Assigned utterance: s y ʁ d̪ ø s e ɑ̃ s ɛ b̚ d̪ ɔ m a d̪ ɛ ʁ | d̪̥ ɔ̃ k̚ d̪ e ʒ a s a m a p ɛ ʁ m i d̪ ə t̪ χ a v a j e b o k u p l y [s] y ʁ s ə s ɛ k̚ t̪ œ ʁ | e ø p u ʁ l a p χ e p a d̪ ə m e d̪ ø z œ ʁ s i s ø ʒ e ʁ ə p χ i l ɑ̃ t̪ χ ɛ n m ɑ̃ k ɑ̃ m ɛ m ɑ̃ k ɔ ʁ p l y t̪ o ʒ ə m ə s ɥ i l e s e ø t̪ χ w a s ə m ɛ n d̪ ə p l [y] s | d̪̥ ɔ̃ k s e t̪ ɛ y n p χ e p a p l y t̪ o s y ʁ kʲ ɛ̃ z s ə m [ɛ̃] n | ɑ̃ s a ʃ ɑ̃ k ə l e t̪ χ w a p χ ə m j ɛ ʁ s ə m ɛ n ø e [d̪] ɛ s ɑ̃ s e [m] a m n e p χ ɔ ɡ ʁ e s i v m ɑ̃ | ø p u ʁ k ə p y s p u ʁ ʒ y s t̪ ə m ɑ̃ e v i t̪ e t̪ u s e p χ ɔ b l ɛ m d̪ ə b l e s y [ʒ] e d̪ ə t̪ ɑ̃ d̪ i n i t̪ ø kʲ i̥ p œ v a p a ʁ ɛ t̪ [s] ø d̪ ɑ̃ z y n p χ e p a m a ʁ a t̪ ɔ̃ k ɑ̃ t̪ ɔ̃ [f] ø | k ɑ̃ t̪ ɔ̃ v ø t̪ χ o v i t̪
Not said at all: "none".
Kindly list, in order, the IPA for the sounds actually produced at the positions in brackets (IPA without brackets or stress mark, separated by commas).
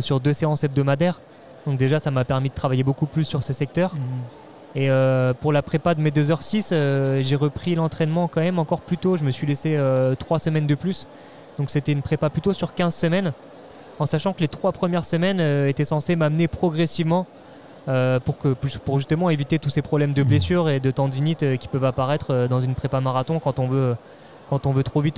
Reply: sː, y, ɛ, t̪, m, ʁ, χ, v